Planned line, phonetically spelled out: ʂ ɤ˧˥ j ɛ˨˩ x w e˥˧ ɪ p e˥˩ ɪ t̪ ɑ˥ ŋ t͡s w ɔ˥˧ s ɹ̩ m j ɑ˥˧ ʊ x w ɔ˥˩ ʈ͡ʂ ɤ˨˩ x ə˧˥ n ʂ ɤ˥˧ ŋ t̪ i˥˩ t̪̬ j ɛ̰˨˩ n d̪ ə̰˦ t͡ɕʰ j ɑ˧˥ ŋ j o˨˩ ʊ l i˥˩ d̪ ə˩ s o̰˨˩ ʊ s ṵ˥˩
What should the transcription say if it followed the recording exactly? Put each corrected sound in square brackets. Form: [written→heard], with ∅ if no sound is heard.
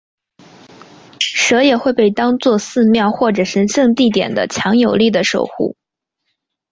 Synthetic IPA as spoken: ʂ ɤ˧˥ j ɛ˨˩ x w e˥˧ ɪ p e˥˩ ɪ t̪ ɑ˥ ŋ t͡s w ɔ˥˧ s ɹ̩ m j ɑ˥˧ ʊ x w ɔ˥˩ ʈ͡ʂ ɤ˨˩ [x→ʂ] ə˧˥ n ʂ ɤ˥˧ ŋ t̪ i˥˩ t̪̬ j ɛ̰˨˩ n d̪ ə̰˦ t͡ɕʰ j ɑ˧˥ ŋ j o˨˩ ʊ l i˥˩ d̪ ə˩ [s→ʂ] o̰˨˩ ʊ [s→x] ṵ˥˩